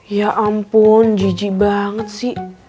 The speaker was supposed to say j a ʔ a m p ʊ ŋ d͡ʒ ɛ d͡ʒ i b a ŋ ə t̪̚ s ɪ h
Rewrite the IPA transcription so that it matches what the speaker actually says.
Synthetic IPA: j a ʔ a m p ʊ n d͡ʒ i d͡ʒ i b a ŋ ə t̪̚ s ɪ h